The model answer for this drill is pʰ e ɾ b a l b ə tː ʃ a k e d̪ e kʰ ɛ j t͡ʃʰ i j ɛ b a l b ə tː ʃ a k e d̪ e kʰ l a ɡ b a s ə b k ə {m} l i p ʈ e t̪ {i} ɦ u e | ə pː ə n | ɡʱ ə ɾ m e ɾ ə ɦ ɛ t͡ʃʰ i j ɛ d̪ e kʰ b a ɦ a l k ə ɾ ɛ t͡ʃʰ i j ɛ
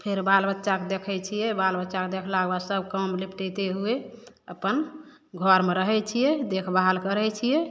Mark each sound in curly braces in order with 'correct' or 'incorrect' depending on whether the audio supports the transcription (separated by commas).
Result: correct, incorrect